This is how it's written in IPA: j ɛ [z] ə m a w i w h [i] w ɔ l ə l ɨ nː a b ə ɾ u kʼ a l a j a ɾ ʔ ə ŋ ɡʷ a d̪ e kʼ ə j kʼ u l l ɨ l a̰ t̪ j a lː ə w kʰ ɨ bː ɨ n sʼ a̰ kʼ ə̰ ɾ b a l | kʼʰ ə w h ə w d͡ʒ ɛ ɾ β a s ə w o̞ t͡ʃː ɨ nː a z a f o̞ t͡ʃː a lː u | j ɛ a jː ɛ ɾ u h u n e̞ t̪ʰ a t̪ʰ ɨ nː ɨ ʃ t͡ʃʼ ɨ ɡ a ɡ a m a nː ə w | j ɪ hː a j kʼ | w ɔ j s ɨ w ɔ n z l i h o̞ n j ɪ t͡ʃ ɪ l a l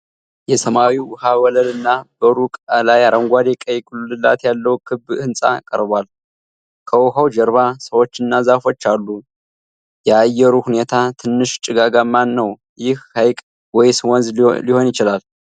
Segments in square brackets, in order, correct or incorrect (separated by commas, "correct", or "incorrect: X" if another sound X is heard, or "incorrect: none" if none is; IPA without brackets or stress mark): incorrect: s, incorrect: a